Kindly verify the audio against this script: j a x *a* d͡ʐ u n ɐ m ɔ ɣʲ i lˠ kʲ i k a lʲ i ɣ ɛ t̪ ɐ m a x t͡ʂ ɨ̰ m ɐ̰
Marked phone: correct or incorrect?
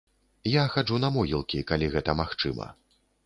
correct